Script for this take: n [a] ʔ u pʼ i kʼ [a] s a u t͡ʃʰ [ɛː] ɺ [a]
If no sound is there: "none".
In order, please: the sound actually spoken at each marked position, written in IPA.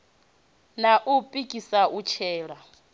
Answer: a, i, ɛː, a

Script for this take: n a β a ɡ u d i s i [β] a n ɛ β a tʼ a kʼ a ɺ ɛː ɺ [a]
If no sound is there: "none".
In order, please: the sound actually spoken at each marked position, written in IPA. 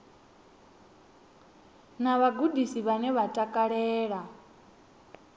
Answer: β, a

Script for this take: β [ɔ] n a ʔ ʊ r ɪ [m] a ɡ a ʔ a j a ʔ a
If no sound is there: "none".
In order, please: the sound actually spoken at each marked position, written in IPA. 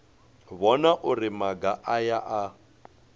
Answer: ɔ, m

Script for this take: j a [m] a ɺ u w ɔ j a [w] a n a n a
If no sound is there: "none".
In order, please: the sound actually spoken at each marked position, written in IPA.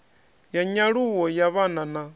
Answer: ɲ, β

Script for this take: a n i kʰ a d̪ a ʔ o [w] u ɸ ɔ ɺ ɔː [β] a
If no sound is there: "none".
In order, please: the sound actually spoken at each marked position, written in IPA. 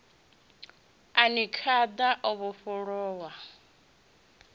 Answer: β, w

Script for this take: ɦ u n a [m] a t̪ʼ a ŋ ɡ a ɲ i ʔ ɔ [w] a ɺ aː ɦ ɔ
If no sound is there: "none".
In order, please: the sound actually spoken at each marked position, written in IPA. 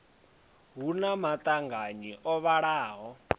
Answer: m, β

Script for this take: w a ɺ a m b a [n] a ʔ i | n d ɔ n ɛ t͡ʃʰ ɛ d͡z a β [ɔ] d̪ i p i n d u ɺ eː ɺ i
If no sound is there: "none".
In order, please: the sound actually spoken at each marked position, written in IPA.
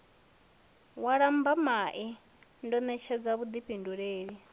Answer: m, u

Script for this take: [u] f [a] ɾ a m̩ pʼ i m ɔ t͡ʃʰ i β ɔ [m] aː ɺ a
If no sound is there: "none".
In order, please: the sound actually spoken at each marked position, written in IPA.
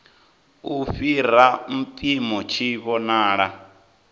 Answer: u, i, n

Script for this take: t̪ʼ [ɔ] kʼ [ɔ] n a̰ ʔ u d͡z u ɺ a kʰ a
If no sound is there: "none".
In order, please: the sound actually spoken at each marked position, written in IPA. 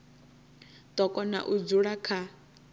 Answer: ɔ, ɔ

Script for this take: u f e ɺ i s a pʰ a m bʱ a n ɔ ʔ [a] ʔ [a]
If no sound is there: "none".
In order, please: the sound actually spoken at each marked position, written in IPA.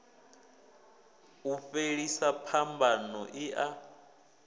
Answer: i, a

